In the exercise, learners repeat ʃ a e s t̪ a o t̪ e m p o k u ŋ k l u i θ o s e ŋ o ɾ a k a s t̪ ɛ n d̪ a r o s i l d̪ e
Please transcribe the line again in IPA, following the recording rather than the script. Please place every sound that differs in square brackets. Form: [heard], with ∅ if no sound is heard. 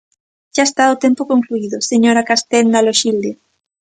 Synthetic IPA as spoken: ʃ a e s t̪ a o t̪ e m p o k [o] ŋ k l u i [ð] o s e [ɲ] o ɾ a k a s t̪ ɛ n d̪ a [l] o [ʃ] i l d̪ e